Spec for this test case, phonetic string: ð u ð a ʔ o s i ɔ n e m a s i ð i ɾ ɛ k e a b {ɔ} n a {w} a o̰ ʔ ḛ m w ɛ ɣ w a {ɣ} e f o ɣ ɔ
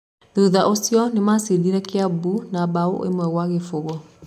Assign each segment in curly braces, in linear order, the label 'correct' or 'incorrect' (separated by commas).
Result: incorrect, incorrect, correct